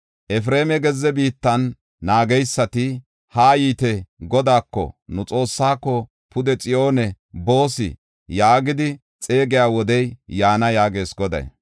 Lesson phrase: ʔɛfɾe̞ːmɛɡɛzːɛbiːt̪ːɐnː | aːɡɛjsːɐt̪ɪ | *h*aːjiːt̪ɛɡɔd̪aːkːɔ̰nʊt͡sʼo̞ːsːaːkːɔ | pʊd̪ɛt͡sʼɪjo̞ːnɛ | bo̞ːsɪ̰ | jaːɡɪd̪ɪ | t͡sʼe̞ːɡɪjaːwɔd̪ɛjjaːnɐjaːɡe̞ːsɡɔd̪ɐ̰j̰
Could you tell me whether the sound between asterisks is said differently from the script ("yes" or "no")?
no